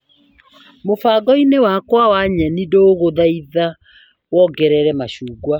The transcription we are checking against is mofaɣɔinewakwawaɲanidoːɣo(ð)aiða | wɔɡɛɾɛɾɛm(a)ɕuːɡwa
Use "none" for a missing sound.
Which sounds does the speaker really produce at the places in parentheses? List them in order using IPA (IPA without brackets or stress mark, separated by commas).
ð, a